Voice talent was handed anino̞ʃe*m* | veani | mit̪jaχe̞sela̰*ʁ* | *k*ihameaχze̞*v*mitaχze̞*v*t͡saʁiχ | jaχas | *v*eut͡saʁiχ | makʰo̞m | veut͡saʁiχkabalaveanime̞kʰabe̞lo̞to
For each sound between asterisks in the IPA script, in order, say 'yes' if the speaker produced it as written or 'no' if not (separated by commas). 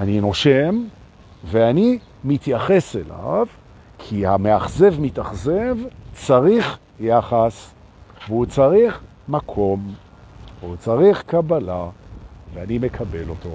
yes, no, no, yes, yes, yes